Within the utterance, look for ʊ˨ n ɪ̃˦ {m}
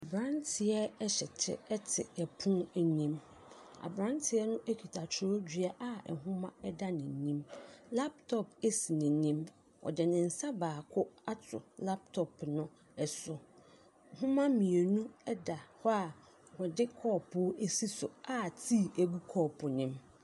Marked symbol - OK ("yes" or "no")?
yes